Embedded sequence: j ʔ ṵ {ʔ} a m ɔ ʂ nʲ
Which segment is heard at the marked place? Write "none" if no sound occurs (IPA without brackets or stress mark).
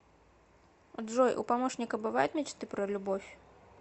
p